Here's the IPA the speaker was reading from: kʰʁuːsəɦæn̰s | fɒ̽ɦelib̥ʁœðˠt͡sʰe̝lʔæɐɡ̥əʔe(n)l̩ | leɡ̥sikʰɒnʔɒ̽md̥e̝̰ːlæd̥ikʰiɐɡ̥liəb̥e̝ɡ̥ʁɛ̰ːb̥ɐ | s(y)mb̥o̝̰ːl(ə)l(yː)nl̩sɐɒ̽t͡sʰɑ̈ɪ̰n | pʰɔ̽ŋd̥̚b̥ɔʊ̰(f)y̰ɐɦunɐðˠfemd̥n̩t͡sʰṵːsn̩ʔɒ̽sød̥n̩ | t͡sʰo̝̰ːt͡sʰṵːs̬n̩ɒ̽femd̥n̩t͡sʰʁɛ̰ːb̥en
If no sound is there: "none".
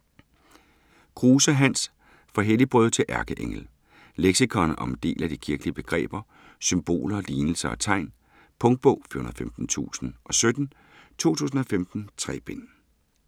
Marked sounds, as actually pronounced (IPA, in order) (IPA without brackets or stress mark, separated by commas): ŋ, y, ɐ, iː, f